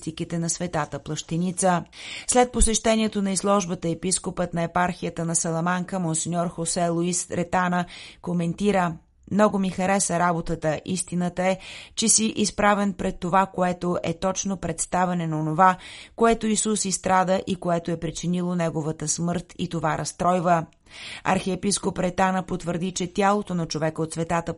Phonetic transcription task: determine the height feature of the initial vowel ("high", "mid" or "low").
high